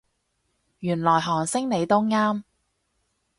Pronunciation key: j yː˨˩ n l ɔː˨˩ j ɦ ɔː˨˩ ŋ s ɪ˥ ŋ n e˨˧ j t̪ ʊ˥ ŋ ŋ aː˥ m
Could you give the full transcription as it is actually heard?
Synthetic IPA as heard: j yː˨˩ n l ɔː˨˩ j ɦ ɔː˨˩ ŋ s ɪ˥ ŋ n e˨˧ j t̪ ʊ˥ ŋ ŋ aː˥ m